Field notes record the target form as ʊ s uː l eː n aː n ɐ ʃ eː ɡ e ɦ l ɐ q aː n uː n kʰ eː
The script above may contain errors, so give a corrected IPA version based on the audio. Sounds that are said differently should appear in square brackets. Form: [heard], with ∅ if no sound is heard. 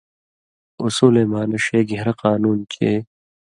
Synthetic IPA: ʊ s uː l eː [m] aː n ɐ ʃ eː ɡ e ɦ [ɾ] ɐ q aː n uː n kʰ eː